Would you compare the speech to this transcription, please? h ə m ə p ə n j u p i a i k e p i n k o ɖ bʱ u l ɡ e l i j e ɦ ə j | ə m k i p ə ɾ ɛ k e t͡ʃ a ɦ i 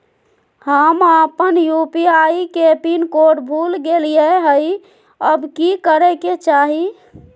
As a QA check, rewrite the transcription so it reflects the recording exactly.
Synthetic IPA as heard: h ə m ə p ə n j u p i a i k e p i n k o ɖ bʱ u l ɡ e l i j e ɦ ə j | ə b k i k ə ɾ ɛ k e t͡ʃ a ɦ i